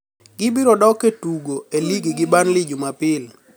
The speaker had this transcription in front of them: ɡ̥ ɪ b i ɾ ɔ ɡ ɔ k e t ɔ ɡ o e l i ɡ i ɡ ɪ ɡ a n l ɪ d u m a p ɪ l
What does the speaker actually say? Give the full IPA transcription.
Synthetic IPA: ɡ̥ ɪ b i ɾ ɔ d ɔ k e t u ɡ o e l i ɡ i ɡ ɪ b a n l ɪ d͡ʒ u m a p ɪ l